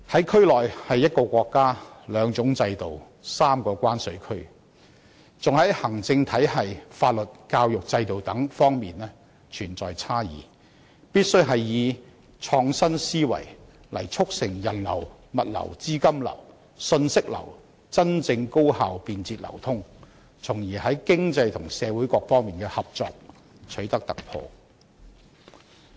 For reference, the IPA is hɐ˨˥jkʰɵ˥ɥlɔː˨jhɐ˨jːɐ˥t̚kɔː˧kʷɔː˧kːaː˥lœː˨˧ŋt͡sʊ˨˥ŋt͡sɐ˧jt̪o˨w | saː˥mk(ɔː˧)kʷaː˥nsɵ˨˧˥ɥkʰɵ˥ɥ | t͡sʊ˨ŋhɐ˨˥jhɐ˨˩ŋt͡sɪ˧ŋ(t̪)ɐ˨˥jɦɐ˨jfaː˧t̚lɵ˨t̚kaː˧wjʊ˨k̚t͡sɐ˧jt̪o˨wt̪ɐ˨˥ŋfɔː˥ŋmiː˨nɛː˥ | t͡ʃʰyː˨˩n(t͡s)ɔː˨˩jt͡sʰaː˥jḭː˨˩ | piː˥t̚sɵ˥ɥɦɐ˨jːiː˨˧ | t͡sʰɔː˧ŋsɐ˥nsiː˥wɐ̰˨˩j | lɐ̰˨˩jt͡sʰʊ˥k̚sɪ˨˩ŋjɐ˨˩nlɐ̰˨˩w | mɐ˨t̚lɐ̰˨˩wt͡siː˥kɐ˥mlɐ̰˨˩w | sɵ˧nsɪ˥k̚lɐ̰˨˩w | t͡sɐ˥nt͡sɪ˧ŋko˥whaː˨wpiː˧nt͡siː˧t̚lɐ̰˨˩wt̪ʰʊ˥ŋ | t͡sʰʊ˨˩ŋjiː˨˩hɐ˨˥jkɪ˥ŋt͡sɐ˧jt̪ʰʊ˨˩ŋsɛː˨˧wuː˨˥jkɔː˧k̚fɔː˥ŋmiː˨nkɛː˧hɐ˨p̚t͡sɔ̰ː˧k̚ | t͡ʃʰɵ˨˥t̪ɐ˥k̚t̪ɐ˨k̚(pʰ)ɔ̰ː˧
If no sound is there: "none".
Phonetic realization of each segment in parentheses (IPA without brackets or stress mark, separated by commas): ɔː˧, t̪ʰ, t͡s, pʰ